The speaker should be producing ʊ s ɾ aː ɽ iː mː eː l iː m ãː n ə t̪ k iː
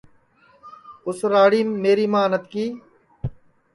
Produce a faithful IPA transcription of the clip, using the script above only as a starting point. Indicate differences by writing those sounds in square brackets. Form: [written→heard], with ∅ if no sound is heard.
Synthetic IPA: ʊ s ɾ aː ɽ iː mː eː [l→ɾ] iː m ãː n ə t̪ k iː